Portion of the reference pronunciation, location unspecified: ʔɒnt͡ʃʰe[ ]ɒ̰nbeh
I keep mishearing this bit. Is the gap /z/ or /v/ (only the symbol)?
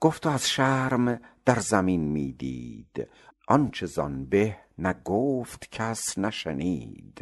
z